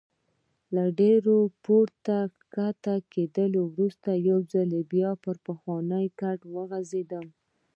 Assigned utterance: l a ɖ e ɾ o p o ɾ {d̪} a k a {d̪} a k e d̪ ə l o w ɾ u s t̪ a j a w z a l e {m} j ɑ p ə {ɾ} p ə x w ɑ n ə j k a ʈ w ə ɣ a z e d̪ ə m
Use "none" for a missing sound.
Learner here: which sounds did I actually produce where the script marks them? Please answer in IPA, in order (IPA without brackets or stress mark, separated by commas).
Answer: t̪, t̪, b, ɾ